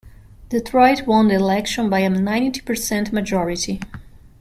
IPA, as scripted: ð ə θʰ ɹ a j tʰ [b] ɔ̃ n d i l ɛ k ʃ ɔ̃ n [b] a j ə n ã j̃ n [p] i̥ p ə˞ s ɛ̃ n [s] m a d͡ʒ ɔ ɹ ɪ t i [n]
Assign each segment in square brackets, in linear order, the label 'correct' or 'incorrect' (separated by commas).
incorrect, correct, incorrect, incorrect, incorrect